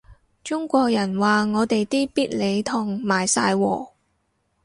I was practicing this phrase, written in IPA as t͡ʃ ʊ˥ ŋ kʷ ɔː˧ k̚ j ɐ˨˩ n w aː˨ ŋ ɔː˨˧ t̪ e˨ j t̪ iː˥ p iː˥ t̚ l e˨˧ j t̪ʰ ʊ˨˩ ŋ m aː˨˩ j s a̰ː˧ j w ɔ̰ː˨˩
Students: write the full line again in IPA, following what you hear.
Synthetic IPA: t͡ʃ ʊ˥ ŋ kʷ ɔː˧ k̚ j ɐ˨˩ n w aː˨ ŋ ɔː˨˧ t̪ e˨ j t̪ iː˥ p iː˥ t̚ l e˨˧ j t̪ʰ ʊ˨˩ ŋ m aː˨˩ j s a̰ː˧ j w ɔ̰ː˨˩